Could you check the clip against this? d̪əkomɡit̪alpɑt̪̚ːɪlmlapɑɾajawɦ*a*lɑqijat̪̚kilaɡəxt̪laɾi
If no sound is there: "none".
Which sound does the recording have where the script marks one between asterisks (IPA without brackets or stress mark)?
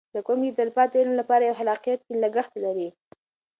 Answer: a